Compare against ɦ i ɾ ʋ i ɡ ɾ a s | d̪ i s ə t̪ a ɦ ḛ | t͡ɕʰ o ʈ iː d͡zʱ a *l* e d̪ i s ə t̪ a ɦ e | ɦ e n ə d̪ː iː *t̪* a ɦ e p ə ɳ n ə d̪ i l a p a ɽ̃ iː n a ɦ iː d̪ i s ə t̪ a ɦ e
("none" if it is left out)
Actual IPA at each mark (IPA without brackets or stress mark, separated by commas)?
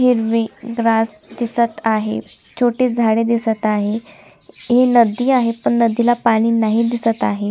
ɽ, none